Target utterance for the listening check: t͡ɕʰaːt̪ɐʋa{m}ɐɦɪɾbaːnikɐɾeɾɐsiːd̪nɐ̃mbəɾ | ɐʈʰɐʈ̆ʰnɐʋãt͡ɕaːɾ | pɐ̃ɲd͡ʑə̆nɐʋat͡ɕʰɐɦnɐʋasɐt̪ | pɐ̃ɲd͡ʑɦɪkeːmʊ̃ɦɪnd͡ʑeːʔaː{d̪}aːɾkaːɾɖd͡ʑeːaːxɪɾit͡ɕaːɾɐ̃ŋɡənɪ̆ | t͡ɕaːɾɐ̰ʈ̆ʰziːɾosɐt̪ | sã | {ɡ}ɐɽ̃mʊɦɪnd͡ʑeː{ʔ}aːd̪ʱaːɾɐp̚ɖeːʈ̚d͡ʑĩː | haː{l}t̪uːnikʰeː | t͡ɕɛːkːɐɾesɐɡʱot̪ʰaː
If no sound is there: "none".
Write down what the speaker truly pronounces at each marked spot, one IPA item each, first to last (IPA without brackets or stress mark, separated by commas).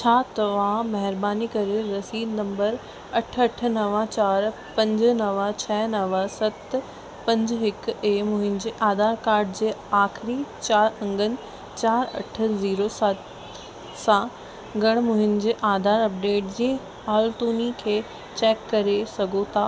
m, d̪, ɡ, ʔ, l